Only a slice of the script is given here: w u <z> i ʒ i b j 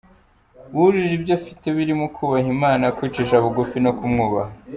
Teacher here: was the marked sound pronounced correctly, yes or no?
no